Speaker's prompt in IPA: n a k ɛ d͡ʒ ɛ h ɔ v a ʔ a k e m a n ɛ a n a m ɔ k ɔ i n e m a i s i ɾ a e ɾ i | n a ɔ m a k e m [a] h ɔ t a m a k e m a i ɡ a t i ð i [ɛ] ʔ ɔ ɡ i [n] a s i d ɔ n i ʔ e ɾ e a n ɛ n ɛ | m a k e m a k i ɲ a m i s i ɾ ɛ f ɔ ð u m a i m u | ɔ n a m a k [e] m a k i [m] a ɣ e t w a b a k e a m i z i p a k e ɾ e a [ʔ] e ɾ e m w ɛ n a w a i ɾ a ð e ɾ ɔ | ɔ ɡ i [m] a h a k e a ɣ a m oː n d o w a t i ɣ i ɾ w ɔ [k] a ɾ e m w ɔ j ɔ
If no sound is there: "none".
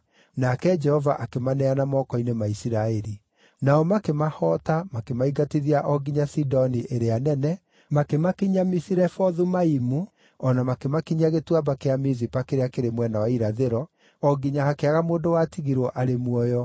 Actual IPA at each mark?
a, a, ɲ, e, ɲ, k, ɲ, ʔ

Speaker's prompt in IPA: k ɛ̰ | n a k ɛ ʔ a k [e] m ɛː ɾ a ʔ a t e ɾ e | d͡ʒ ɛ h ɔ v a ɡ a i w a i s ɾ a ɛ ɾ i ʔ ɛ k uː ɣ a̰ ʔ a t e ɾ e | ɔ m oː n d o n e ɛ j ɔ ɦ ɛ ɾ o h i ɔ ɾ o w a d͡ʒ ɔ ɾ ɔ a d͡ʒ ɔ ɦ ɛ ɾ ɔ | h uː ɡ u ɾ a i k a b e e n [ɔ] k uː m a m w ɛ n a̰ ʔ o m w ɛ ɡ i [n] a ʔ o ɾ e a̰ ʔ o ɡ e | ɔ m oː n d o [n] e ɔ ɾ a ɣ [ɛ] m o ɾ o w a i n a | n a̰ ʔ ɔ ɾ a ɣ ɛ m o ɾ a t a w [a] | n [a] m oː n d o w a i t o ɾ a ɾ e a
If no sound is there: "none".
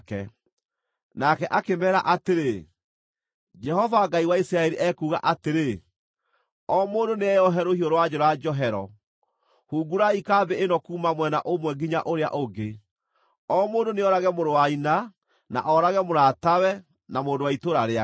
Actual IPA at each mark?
e, ɔ, ɲ, n, ɛ, ɛ, a

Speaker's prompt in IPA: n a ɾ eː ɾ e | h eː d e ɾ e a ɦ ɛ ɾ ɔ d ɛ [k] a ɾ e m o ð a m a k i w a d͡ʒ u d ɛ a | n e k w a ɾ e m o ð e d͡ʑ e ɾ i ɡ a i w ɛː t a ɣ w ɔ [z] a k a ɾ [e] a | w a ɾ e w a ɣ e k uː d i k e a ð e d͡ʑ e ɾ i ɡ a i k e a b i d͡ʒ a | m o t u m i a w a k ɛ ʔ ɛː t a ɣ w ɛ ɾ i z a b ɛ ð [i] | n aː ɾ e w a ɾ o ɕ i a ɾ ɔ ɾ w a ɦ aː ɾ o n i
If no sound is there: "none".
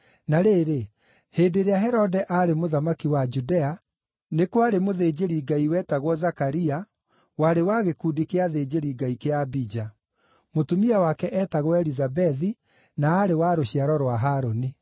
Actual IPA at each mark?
ʔ, z, i, i

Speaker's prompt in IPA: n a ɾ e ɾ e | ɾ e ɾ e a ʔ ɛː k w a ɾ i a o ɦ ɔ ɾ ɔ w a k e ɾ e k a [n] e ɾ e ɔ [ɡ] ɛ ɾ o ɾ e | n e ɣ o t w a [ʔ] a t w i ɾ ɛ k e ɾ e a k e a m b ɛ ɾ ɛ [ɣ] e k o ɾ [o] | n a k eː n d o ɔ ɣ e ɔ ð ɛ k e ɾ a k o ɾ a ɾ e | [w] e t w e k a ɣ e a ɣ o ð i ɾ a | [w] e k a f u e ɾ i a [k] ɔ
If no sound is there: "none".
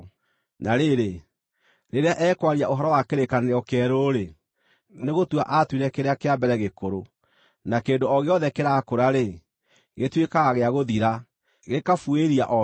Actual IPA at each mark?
n, k, ʔ, ɣ, o, ɣ, ɣ, ʔ

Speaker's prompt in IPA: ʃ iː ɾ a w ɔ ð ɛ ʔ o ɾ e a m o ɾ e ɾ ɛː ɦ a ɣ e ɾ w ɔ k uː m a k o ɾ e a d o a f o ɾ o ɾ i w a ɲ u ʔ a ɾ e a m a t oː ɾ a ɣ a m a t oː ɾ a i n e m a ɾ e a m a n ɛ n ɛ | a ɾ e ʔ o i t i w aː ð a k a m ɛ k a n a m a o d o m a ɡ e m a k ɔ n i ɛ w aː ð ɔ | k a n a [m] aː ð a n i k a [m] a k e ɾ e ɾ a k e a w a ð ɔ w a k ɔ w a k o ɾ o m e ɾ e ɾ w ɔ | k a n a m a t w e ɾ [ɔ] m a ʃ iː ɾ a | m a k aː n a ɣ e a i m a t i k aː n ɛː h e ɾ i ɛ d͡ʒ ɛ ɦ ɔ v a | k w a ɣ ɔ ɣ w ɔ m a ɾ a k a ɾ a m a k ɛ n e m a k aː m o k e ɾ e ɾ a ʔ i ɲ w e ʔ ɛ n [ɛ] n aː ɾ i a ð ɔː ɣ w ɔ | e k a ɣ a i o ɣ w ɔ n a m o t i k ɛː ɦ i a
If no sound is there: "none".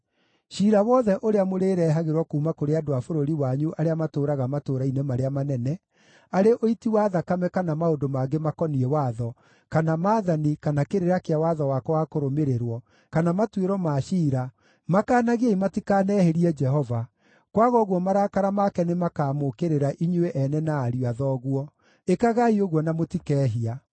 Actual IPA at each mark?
m, n, ɔ, ɛ

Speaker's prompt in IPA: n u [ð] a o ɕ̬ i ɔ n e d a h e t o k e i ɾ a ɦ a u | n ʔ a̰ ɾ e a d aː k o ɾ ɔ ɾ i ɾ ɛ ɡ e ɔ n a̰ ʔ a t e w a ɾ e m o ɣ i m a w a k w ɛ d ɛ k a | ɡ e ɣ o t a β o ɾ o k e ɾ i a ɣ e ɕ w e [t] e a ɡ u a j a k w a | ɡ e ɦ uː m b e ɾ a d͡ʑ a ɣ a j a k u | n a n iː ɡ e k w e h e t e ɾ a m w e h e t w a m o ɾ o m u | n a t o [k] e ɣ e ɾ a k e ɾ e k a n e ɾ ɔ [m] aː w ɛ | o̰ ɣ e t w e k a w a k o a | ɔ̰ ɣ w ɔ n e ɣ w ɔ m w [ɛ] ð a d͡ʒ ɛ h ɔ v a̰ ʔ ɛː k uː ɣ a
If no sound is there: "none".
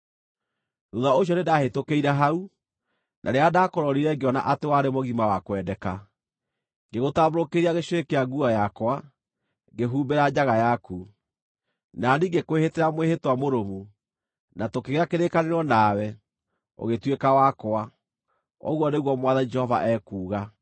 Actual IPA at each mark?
ð, k, k, n, a

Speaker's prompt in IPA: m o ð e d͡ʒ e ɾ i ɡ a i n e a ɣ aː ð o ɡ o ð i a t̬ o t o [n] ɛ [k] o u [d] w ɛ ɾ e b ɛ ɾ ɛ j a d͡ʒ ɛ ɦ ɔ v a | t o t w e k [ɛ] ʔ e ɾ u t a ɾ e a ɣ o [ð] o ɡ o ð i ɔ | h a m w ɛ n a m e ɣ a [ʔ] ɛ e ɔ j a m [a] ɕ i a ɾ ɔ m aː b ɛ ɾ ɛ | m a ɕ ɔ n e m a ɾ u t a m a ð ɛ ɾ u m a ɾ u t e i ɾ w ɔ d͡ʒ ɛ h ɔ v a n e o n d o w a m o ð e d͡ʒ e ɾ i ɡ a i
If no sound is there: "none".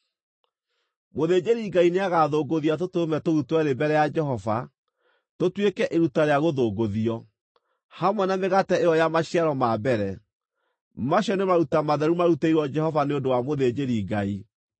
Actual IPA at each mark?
m, t, t, ɛ, ð, t, a

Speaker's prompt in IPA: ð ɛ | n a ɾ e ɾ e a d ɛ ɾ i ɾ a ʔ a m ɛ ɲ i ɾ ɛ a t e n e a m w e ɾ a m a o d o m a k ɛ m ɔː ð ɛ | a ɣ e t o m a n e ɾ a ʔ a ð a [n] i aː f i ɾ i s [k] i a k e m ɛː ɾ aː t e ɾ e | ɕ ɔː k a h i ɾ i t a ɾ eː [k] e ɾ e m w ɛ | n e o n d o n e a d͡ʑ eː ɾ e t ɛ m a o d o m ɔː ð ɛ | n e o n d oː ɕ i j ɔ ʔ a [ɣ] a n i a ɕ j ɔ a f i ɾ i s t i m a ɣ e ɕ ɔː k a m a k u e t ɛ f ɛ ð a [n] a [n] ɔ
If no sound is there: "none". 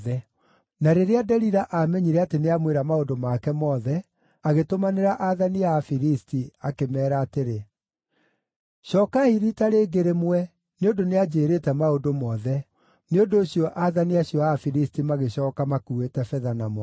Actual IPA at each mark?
n, t, ɡ, ð, n, m

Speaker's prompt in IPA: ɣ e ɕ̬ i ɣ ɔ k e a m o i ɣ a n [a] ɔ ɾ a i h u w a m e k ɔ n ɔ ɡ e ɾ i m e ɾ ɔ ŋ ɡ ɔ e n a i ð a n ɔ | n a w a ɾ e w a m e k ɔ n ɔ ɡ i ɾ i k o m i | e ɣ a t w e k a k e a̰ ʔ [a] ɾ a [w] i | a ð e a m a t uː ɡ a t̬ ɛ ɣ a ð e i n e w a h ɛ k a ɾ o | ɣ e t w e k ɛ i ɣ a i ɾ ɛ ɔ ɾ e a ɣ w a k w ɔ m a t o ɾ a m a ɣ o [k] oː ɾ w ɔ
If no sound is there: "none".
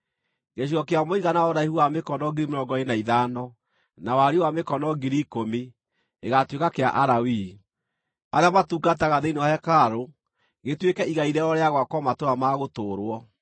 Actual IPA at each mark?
a, a, w, t

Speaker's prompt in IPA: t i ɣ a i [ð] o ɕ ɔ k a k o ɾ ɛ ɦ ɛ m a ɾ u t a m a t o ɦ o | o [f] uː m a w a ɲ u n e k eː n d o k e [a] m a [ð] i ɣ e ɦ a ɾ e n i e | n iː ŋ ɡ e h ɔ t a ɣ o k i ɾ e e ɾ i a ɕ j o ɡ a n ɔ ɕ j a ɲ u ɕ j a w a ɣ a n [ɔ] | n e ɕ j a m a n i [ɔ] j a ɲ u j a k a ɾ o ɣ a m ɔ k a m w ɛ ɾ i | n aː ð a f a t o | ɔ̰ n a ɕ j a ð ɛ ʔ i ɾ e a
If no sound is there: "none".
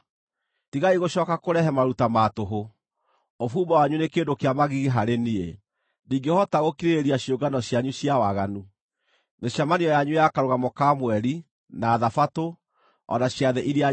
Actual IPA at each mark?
ɣ, f, a, ɣ, u, ɔ

